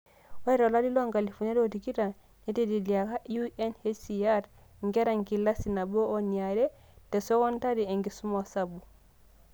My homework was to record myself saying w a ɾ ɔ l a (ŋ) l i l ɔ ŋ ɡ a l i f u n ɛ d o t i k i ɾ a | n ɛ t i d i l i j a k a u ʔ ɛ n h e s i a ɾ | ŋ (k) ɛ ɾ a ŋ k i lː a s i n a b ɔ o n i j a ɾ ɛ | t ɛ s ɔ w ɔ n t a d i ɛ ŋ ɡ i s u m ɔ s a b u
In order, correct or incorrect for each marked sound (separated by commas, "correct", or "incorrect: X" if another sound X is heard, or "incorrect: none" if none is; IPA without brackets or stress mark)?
incorrect: none, incorrect: ɡ